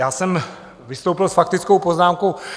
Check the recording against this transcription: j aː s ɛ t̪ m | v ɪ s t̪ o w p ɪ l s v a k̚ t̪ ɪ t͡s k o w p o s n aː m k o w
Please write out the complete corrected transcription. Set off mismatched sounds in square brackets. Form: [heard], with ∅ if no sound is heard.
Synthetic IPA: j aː s ɛ [∅] m | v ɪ s t̪ o w p ɪ l s [f] a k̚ t̪ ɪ t͡s k o w p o [z] n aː m k o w